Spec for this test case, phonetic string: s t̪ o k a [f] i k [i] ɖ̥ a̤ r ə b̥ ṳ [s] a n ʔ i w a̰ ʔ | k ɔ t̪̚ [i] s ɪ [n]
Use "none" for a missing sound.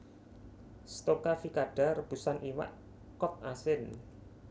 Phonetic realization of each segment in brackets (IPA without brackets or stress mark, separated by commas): f, a, s, a, n